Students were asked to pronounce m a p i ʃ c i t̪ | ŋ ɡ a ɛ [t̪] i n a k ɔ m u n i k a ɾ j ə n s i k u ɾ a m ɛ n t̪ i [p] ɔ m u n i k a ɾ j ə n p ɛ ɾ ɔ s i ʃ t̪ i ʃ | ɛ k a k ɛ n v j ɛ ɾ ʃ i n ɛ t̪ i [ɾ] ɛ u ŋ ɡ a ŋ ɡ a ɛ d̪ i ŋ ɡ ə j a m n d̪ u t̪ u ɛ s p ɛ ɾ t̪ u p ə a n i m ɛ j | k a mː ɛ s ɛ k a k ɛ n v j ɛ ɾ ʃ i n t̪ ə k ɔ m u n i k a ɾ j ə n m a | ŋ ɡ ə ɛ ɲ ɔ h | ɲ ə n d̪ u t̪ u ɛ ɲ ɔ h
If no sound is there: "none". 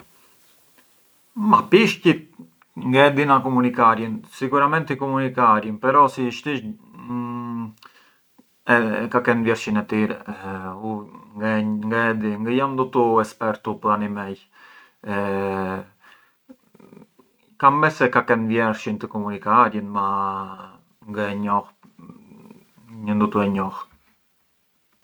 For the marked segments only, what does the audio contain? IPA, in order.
d̪, k, ɾ

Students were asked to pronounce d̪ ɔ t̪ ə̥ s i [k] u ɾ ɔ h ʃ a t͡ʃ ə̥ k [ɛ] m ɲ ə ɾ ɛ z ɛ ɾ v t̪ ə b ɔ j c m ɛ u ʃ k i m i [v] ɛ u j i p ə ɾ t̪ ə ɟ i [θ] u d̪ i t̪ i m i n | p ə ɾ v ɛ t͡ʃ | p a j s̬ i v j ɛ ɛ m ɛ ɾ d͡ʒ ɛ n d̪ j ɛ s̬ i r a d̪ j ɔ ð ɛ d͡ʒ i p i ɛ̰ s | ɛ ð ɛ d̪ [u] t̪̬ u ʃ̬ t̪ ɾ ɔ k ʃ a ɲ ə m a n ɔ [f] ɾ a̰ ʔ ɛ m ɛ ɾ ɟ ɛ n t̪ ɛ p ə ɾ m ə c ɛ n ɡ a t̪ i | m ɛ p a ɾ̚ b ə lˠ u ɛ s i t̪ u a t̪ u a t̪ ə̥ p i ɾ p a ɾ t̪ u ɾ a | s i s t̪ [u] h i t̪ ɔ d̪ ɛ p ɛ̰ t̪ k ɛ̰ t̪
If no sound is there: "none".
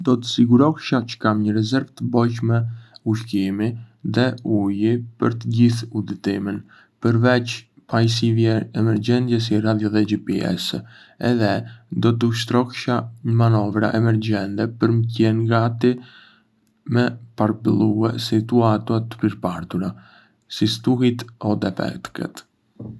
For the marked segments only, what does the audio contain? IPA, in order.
ɡ, a, ð, θ, ɔ, v, u

